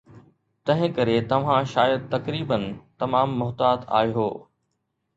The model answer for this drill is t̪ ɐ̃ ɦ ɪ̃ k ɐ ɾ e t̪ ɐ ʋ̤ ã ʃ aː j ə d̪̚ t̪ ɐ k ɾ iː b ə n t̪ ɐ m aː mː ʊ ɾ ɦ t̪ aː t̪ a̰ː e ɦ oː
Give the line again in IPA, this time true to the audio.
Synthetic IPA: t̪ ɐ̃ ɦ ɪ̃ k ɐ ɾ e t̪ ɐ ʋ̤ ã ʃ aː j ə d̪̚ t̪ ɐ k ɾ iː b ə n t̪ ɐ m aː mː ʊ ɦ t̪ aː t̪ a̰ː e ɦ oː